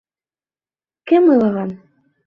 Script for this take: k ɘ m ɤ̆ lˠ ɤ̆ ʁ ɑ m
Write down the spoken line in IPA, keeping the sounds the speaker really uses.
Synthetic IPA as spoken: k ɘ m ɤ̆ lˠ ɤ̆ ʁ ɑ n